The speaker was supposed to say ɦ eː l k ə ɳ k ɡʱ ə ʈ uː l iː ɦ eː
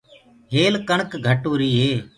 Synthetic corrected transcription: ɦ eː l k ə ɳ k ɡʱ ə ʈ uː ɾ iː ɦ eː